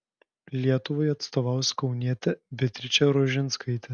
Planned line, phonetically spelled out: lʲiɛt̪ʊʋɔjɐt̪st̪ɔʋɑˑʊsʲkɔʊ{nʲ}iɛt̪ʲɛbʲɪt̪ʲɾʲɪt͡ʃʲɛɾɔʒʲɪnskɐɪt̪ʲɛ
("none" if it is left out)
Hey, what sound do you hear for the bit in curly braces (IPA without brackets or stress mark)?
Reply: nʲ